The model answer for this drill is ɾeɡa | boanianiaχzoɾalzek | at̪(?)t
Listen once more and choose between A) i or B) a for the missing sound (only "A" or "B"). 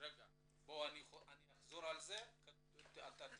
B